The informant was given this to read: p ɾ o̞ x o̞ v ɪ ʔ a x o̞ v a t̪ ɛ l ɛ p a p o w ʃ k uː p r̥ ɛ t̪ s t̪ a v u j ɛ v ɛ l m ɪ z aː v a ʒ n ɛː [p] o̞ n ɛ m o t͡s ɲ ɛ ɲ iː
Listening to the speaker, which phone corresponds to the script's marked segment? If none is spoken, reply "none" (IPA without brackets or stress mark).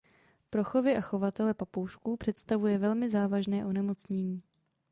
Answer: ʔ